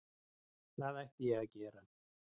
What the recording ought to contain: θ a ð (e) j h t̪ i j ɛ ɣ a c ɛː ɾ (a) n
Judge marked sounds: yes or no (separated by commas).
no, yes